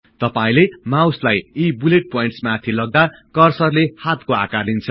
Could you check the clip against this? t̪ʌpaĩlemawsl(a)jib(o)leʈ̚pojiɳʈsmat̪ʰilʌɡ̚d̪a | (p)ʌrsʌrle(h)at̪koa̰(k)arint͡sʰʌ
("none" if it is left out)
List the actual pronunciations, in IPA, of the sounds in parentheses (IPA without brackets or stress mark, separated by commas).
a, u, k, h, k